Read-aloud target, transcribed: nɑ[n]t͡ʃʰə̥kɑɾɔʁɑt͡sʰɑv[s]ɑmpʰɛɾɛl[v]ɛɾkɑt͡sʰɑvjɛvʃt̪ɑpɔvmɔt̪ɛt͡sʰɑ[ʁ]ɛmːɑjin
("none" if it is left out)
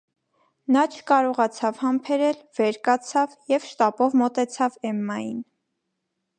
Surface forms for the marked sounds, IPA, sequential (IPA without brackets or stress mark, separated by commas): none, h, v, v